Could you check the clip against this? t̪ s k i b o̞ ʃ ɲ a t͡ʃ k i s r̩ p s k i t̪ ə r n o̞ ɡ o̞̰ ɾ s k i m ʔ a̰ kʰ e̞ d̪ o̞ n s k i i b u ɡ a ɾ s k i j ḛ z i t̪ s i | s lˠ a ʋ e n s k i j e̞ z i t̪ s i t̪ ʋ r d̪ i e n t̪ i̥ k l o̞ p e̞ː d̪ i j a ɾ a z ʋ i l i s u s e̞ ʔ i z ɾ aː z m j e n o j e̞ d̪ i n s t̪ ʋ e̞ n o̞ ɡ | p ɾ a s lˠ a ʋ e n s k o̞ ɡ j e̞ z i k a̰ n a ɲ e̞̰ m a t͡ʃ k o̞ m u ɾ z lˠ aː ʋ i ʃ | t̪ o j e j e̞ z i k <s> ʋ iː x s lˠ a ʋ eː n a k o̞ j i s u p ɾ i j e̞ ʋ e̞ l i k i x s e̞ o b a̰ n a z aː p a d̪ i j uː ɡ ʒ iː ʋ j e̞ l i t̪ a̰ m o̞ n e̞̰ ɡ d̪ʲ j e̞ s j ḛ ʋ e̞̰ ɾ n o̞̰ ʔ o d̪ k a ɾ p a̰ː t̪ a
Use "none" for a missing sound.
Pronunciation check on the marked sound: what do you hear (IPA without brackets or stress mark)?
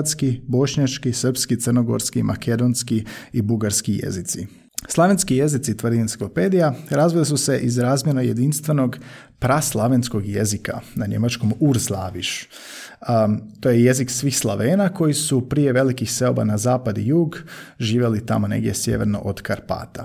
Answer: s